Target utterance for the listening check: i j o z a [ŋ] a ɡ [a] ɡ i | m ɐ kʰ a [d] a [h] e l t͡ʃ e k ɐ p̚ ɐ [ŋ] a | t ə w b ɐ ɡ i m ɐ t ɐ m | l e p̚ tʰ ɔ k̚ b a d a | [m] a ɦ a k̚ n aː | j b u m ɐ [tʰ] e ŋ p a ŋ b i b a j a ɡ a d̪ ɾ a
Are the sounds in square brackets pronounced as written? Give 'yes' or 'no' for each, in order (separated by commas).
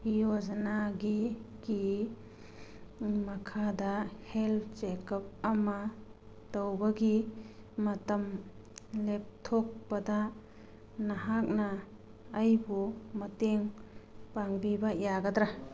no, no, yes, yes, no, no, no